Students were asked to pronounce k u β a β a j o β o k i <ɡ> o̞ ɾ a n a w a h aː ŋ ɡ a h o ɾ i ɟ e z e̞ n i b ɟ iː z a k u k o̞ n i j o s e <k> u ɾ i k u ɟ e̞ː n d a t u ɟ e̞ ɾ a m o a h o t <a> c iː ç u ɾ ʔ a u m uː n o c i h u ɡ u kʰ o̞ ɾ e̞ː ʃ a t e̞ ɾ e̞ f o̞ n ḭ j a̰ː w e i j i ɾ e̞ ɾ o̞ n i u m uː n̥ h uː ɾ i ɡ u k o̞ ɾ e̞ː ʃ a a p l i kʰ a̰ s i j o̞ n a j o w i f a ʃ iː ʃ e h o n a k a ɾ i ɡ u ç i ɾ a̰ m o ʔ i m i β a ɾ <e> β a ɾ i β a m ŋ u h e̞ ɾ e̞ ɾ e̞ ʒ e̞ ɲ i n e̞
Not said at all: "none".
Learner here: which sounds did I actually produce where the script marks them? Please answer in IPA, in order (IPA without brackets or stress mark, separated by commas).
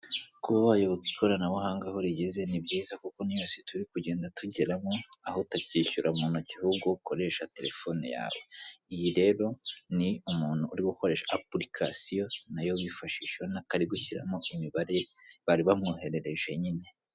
k, t, a, e